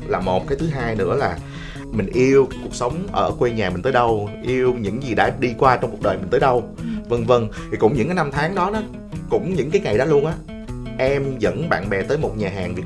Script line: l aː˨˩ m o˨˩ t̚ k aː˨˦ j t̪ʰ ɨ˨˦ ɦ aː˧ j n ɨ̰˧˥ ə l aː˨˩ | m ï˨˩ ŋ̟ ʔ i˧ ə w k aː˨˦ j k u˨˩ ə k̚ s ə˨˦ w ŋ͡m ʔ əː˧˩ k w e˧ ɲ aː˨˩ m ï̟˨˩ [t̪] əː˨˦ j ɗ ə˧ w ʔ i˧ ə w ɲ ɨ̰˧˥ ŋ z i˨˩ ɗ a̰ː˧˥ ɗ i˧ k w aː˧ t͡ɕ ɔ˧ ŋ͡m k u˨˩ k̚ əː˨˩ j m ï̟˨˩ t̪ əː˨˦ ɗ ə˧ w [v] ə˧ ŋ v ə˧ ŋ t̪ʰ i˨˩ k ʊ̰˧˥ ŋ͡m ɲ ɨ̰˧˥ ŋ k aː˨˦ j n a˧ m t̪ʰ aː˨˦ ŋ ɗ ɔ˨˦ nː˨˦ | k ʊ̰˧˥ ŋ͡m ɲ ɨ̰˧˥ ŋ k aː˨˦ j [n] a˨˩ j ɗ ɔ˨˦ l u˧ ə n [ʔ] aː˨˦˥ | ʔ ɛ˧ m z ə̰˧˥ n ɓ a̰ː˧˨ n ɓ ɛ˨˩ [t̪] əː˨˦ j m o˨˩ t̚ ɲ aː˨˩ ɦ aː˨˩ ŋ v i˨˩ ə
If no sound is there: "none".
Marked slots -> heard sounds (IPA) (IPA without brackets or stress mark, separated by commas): t̪, v, ŋ, ʔ, t̪